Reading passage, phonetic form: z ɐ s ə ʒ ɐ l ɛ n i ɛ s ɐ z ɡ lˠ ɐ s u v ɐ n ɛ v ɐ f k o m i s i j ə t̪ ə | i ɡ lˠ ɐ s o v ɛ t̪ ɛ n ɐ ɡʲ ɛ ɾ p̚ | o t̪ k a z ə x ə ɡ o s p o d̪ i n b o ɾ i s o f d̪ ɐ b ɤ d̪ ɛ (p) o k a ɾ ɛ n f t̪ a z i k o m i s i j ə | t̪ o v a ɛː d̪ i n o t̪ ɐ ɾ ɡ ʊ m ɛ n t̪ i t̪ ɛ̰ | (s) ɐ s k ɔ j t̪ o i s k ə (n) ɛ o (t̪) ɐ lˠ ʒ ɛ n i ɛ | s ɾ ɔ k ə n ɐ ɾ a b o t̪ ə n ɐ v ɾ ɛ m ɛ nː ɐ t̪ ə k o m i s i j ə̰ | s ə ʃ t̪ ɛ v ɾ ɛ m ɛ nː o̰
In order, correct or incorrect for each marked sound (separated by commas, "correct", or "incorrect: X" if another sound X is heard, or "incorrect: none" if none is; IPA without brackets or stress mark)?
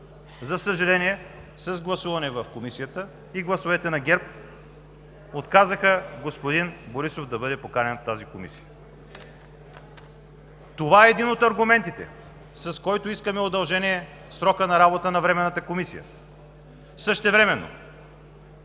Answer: correct, correct, incorrect: m, incorrect: d̪